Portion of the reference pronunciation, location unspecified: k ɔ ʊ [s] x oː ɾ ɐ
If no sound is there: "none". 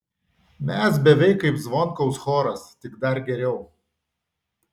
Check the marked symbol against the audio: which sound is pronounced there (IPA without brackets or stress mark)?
s